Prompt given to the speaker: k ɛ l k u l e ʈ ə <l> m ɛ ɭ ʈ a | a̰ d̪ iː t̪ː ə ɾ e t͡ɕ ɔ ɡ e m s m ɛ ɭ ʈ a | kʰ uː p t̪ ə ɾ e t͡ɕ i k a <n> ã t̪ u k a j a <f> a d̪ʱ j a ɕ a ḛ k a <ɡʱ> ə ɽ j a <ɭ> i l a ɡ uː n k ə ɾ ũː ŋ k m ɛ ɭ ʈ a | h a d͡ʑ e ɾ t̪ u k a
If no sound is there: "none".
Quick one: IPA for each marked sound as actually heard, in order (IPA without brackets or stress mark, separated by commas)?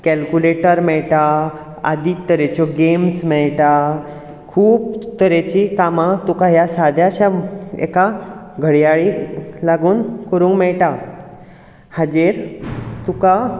ɾ, m, s, ɡʱ, ɭ